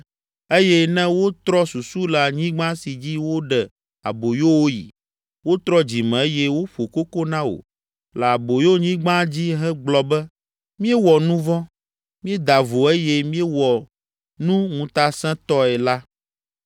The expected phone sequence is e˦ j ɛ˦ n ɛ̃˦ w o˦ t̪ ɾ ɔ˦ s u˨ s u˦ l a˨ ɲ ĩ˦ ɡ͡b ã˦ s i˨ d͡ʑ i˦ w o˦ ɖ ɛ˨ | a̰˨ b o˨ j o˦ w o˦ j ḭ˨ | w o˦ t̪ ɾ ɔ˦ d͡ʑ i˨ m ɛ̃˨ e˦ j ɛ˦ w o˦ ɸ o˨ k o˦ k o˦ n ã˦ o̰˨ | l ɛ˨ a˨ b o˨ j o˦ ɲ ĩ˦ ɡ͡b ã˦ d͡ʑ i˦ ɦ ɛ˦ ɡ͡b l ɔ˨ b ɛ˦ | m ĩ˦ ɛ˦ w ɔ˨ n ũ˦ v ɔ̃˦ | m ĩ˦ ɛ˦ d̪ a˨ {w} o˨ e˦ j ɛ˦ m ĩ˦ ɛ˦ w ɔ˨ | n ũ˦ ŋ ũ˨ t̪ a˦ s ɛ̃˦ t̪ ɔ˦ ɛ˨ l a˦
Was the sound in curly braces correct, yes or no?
no